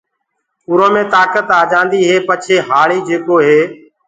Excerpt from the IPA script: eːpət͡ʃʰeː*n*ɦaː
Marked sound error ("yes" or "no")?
yes